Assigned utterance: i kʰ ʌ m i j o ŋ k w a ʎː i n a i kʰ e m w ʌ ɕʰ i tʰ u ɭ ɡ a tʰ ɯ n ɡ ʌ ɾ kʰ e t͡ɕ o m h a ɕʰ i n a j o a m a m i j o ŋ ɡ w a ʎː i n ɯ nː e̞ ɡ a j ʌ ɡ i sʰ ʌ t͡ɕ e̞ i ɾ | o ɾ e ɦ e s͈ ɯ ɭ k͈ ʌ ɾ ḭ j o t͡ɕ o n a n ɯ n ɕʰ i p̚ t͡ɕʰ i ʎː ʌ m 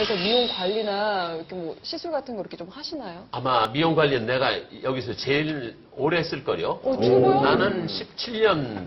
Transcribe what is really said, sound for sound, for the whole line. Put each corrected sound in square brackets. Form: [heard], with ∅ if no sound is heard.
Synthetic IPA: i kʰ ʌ m i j o ŋ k w a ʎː i n a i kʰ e m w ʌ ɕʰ i [sʰ] u ɭ ɡ a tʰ ɯ n ɡ ʌ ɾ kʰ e t͡ɕ o m h a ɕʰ i n a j o a m a m i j o ŋ ɡ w a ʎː i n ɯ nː e̞ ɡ a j ʌ ɡ i sʰ ʌ t͡ɕ e̞ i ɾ | o ɾ e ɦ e s͈ ɯ ɭ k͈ ʌ ɾ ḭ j o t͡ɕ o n a n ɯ n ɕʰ i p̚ t͡ɕʰ i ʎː ʌ [n]